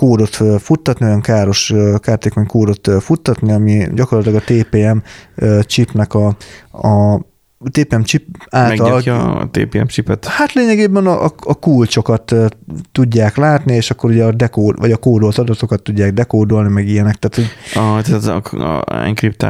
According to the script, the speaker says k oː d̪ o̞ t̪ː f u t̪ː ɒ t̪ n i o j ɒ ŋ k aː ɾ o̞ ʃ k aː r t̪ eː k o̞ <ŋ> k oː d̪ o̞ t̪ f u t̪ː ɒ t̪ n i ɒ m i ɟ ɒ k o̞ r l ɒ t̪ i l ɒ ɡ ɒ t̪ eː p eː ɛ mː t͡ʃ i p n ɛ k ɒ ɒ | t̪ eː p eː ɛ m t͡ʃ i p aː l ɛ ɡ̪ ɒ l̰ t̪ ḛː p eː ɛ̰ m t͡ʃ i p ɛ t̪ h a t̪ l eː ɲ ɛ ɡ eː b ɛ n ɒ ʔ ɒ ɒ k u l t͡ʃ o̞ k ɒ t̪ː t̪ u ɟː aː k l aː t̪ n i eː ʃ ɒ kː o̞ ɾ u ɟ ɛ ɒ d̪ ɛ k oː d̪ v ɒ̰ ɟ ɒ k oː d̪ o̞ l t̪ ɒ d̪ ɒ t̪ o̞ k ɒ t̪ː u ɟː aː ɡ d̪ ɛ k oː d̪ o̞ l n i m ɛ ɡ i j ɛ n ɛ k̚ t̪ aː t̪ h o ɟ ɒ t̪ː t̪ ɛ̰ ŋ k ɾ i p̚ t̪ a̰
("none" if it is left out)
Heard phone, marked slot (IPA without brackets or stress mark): ɲ